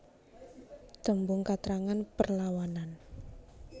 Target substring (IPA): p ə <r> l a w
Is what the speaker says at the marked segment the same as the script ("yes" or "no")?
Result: yes